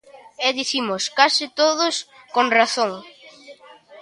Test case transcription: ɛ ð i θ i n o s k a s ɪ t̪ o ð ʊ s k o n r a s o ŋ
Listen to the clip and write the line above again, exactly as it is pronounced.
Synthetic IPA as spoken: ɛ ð i θ i m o s k a s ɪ t̪ o ð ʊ s k o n r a θ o ŋ